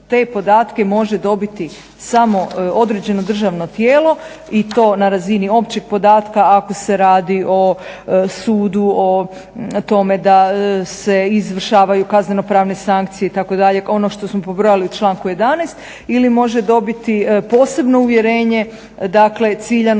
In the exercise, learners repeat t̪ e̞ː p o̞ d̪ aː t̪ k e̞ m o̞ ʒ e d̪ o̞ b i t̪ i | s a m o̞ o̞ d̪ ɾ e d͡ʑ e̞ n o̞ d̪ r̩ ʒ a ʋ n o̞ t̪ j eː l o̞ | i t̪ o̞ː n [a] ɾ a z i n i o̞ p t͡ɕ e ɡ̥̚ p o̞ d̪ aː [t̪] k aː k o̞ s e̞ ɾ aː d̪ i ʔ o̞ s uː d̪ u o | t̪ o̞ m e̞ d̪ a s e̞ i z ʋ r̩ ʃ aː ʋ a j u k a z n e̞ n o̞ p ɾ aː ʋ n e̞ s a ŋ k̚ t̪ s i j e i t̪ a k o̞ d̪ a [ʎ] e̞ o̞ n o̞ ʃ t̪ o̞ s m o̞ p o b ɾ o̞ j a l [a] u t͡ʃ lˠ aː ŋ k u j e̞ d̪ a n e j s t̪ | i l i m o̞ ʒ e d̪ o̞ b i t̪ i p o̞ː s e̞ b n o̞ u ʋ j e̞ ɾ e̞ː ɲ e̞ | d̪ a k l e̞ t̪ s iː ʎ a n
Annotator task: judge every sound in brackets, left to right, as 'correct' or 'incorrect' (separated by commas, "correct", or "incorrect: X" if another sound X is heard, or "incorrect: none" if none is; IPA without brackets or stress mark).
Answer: correct, correct, correct, incorrect: i